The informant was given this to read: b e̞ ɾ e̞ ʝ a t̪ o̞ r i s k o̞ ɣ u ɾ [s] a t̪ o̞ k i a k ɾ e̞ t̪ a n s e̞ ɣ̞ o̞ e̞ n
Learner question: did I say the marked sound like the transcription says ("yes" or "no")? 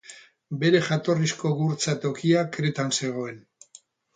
no